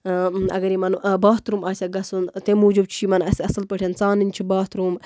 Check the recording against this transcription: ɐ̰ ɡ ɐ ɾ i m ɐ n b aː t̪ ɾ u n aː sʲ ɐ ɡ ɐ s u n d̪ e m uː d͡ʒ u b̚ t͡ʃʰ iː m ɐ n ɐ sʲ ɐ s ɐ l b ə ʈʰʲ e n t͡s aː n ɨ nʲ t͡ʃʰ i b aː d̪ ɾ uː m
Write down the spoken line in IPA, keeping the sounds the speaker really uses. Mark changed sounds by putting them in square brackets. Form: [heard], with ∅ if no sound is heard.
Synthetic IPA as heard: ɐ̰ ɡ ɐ ɾ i m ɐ n b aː t̪ ɾ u [m] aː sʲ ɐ ɡ ɐ s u n [t̪] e m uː d͡ʒ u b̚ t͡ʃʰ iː m ɐ n ɐ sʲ ɐ s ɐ l [p] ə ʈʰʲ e n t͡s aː n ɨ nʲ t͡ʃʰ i b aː [t̪] ɾ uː m